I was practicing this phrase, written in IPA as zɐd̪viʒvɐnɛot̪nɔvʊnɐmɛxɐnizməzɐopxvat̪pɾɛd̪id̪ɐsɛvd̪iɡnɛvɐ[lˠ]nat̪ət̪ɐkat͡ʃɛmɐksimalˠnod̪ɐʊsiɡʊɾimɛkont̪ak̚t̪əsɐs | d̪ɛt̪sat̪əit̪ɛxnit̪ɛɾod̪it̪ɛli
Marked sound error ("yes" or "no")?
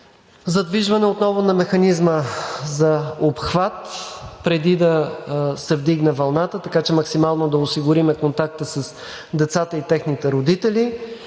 no